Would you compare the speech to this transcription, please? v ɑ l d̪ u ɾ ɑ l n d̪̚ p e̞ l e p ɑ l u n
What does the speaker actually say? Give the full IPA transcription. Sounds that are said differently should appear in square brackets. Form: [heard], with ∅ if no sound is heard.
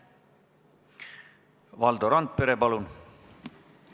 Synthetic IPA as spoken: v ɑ l d̪ [o] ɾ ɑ [∅] n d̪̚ p e̞ [ɾ] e p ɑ l u n